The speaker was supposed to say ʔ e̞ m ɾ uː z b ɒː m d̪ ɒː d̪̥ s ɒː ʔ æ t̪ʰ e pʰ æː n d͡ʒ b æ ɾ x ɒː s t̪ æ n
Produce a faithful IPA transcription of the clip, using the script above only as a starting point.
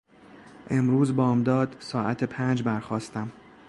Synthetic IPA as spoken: ʔ e̞ m ɾ uː z b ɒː m d̪ ɒː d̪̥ s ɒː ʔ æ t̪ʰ e pʰ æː n d͡ʒ b æ ɾ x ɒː s t̪ æ m